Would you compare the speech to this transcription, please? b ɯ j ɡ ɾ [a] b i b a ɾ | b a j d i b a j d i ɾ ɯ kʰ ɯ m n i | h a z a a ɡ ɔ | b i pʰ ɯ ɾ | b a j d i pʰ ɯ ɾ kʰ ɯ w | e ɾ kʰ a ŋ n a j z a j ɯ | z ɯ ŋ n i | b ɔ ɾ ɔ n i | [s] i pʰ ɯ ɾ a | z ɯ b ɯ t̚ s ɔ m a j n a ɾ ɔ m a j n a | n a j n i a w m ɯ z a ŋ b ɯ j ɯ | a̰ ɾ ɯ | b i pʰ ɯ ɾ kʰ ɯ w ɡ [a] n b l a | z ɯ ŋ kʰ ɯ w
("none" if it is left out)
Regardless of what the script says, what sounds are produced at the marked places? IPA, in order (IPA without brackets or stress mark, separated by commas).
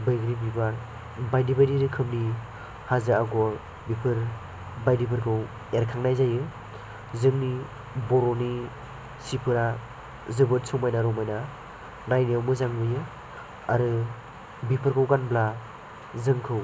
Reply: i, s, a